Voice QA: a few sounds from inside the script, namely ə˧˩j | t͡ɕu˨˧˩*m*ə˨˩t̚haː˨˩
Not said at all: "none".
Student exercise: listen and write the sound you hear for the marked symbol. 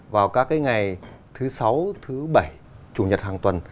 ɲ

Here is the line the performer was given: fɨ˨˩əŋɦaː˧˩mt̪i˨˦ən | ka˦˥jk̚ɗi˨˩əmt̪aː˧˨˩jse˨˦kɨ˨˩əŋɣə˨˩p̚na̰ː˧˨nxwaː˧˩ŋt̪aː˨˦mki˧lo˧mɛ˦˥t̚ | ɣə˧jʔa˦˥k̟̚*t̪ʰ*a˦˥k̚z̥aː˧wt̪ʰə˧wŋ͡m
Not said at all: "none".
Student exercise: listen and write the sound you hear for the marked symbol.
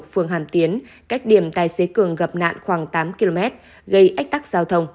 t̪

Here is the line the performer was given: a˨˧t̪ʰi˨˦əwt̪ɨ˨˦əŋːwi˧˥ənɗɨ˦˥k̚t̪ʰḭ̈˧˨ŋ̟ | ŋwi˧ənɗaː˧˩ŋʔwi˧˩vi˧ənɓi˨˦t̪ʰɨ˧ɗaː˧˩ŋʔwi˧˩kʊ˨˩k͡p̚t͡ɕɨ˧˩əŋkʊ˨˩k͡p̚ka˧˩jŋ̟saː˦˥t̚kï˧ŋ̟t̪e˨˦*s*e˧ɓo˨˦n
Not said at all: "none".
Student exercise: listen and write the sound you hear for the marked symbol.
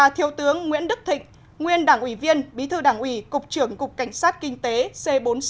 s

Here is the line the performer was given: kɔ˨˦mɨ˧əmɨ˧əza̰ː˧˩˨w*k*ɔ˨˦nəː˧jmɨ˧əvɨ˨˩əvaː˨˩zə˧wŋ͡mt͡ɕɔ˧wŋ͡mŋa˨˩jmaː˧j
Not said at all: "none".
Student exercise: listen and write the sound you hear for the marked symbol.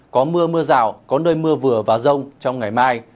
k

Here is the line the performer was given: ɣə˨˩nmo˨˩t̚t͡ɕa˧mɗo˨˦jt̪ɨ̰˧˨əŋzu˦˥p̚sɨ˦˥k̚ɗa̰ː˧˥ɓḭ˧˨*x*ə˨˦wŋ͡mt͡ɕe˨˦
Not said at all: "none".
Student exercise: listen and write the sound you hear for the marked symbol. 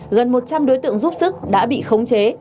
x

